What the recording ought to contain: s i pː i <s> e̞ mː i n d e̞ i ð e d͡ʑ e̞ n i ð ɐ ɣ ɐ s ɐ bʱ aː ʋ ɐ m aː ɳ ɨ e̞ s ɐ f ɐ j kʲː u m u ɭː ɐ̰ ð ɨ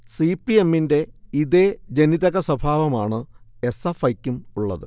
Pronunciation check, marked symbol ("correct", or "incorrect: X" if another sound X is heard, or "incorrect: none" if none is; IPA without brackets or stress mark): incorrect: none